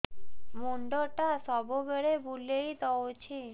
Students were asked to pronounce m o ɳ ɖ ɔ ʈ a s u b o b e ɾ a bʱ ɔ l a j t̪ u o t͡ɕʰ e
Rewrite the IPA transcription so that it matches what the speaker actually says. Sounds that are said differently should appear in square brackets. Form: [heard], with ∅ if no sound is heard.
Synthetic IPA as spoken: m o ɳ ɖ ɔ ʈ a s [ɔ] b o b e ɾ [e] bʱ [u] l [e] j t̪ [ɔ] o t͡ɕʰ [i]